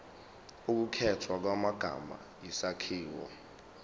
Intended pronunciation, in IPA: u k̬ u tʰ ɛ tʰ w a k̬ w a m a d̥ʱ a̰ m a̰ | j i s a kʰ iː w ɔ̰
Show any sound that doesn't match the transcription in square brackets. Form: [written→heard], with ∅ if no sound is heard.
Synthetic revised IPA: u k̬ u [tʰ→kʰ] ɛ tʰ w a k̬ w a m a [d̥ʱ→ɡ̥ʱ] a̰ m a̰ | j i s a kʰ iː w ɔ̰